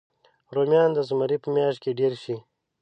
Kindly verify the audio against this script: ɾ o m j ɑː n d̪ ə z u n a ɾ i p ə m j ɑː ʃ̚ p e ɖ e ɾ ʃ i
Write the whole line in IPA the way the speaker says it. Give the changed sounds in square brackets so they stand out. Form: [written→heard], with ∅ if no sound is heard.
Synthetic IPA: ɾ o m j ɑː n d̪ ə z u [n→m] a ɾ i p ə m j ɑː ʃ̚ [p→k] e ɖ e ɾ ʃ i